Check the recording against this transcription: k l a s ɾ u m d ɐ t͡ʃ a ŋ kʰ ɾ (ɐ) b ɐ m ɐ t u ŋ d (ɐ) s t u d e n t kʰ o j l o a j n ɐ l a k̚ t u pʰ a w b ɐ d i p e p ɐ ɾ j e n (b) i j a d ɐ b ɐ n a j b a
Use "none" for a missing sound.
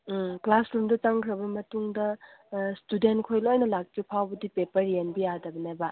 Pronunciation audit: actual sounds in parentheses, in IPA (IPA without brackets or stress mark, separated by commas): ɐ, ɐ, b